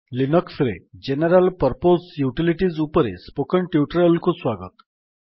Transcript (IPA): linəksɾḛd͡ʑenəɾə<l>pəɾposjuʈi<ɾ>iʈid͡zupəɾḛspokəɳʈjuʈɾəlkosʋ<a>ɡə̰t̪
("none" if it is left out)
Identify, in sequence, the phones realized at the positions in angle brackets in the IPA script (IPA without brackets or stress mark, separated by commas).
l, l, a